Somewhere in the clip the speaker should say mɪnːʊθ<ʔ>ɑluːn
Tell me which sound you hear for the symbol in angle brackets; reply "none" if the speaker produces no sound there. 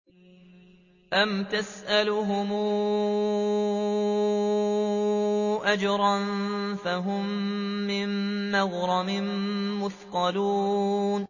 q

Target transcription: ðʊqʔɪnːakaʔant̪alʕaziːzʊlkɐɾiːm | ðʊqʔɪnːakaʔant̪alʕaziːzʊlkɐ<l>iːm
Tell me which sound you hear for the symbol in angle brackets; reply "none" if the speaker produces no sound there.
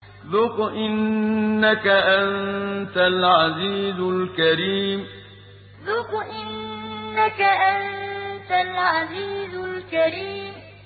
ɾ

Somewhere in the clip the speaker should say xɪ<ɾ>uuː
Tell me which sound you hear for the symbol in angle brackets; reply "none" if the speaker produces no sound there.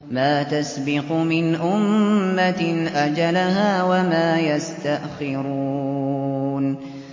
ɾ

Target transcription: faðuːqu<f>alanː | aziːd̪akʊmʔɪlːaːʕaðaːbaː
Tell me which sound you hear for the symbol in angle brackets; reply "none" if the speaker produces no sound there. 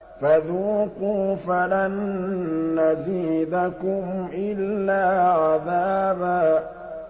f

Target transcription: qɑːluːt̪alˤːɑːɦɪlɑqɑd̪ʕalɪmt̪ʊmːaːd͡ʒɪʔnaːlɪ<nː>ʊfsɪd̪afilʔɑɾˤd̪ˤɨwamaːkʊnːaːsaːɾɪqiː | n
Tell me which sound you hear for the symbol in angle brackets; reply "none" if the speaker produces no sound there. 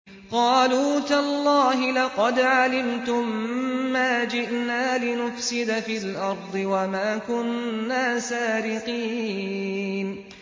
n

